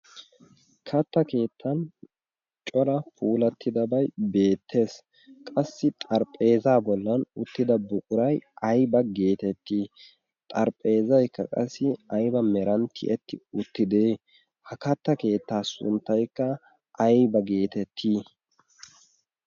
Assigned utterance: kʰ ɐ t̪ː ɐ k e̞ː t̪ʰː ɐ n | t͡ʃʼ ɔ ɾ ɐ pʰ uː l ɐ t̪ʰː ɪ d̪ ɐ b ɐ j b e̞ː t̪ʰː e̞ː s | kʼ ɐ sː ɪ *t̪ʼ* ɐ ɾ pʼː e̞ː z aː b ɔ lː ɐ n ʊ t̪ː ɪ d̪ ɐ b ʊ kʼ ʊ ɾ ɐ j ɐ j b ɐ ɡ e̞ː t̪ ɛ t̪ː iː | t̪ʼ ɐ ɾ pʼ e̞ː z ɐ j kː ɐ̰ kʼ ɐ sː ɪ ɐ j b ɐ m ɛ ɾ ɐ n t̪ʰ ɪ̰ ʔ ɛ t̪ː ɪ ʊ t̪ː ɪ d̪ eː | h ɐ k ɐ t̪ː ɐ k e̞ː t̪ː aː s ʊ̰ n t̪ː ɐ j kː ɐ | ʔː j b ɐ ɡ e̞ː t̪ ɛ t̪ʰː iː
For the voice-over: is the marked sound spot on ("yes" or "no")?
yes